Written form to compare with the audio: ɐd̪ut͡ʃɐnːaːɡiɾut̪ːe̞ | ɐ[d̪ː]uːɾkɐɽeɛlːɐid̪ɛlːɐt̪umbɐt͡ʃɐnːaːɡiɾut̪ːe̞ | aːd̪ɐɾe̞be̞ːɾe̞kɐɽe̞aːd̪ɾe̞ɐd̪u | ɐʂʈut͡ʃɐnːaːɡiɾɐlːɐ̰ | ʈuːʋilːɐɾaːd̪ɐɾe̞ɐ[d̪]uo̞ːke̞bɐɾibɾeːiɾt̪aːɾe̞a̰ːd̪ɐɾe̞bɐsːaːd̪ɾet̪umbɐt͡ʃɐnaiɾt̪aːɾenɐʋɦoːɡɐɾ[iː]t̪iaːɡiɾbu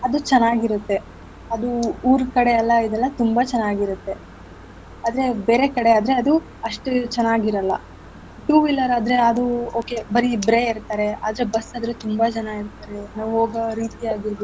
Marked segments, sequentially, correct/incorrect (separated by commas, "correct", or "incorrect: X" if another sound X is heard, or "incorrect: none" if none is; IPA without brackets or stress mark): incorrect: d̪, correct, correct